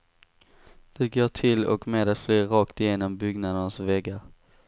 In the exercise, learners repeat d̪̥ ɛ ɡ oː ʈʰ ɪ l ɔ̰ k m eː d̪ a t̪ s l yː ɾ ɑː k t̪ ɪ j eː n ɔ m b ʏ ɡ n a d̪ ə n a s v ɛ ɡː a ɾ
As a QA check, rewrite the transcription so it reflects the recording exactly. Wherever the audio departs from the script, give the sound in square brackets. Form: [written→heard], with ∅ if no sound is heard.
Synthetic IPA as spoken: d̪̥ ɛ ɡ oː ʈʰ ɪ l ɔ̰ k m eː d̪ a t̪ [s→f] l yː ɾ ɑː k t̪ ɪ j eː n ɔ m b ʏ ɡ n a d̪ ə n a s v ɛ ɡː a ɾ

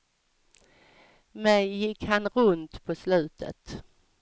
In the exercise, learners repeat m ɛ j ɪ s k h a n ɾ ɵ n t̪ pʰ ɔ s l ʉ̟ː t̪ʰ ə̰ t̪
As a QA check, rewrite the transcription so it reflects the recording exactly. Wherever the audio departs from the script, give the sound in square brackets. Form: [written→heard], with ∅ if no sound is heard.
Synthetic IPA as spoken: m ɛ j ɪ [s→∅] k h a n ɾ ɵ n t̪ pʰ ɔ s l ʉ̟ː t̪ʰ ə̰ t̪

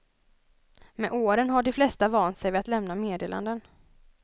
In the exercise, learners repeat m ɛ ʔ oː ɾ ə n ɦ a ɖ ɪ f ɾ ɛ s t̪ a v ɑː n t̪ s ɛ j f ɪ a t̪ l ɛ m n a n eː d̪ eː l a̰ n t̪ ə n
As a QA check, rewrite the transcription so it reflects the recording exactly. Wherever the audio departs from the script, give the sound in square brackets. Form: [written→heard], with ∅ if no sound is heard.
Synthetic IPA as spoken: m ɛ ʔ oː ɾ ə n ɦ a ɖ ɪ f [ɾ→l] ɛ s t̪ a v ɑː n t̪ s ɛ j [f→v] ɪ a t̪ l ɛ m n a [n→m] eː d̪ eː l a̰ n [t̪→d̪] ə n

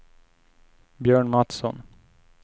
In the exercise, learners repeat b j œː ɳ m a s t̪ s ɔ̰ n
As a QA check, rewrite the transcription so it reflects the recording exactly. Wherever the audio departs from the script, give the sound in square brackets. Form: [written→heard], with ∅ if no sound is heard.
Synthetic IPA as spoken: b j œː ɳ m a [s→∅] t̪ s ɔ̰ n

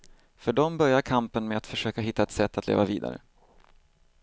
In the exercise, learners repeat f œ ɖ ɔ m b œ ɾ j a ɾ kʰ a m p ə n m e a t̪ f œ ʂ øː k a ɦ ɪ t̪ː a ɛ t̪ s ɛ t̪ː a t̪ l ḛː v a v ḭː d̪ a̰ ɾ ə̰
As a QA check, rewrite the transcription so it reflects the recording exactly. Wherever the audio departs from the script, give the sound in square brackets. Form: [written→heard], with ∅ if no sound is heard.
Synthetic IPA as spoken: f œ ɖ ɔ m b œ ɾ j a ɾ kʰ a m p ə n m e a t̪ f œ ʂ øː k a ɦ ɪ t̪ː a ɛ t̪ s ɛ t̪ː a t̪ l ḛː v a v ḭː d̪ a̰ ɾ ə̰

